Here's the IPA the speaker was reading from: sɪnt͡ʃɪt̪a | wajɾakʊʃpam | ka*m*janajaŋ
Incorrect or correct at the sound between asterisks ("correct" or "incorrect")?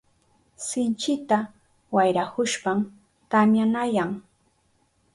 correct